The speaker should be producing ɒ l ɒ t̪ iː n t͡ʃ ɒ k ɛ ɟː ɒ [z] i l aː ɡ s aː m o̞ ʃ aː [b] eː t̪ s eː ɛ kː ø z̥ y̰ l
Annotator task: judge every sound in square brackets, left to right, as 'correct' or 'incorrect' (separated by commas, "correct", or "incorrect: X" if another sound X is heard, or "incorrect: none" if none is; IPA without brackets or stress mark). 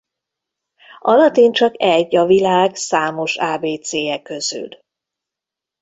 incorrect: v, correct